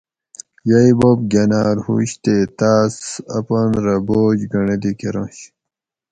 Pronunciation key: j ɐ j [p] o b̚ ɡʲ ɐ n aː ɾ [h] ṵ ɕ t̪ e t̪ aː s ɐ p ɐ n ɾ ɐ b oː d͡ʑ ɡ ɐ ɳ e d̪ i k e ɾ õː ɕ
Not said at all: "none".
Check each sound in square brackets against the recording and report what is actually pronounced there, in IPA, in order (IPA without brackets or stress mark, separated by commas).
b, h